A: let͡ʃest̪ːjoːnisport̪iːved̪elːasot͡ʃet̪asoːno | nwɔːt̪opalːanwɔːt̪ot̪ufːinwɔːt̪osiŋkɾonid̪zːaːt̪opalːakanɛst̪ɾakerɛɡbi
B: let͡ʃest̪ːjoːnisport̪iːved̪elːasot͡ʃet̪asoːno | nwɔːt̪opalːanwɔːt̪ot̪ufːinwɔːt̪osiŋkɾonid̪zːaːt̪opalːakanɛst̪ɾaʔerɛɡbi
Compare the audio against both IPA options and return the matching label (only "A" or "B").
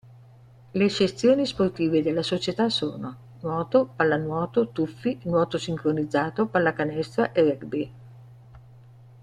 B